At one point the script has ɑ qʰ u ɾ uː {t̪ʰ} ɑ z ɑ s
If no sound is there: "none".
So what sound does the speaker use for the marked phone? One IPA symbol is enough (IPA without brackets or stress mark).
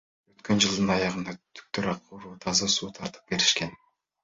t̪ʰ